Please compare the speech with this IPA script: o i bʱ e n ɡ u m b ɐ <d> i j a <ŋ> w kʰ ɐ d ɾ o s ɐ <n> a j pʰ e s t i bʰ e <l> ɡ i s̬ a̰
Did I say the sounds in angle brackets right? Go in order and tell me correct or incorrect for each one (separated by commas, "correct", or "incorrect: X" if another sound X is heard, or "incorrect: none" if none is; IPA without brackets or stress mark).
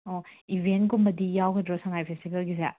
correct, incorrect: none, incorrect: ŋ, correct